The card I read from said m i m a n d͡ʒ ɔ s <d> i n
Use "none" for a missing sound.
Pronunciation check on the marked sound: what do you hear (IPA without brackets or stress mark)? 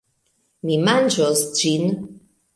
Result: d͡ʒ